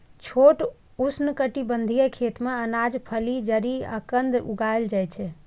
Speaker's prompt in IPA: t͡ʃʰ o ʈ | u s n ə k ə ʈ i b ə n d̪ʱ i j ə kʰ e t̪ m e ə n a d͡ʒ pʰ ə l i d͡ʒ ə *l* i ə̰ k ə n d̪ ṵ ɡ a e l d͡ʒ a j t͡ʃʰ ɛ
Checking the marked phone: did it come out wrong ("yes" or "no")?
yes